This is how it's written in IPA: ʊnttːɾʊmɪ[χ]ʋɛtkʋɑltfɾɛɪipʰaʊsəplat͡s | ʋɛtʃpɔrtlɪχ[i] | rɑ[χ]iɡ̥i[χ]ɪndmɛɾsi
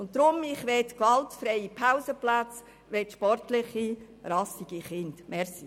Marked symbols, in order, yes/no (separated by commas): yes, yes, no, yes